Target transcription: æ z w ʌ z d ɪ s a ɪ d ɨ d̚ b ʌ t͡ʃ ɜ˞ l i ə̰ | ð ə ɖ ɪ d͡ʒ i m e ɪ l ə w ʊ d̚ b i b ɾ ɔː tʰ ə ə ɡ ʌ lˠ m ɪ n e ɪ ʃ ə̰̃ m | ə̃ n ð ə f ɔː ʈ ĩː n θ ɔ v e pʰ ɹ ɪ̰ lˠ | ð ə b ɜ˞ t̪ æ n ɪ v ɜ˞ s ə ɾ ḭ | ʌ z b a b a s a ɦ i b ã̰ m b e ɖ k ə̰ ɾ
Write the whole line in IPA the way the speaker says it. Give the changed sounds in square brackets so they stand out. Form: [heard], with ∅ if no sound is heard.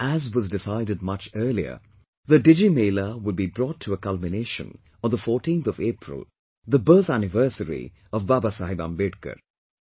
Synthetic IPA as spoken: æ z w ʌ z d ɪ s a ɪ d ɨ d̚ [m] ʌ t͡ʃ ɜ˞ l i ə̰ | ð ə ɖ ɪ d͡ʒ i m e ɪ l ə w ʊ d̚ b i b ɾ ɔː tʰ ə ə [k] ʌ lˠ m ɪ n e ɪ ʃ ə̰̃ [n] | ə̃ n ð ə f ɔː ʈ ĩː n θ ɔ v e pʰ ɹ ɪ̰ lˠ | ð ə b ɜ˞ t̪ æ n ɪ v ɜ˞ s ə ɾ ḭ | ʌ [v] b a b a s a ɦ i b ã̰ m b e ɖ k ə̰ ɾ